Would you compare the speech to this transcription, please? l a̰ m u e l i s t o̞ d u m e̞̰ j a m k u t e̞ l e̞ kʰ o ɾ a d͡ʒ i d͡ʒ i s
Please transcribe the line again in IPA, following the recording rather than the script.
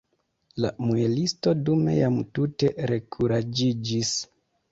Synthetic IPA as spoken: l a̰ m u e l i s t o̞ d u m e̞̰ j a m t u t e̞ ɾ e̞ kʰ u ɾ a d͡ʒ i d͡ʒ i s